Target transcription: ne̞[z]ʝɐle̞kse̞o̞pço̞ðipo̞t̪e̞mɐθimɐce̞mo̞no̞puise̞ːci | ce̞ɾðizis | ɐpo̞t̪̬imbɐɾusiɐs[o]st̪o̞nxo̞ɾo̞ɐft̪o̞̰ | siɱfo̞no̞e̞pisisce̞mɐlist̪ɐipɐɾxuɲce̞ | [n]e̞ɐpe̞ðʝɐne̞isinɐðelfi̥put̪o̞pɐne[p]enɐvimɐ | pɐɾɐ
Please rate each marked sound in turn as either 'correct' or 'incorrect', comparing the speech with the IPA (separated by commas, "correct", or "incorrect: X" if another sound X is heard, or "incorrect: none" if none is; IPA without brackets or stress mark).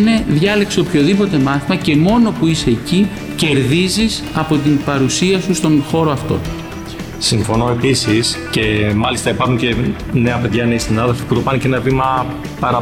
incorrect: ð, incorrect: u, correct, incorrect: c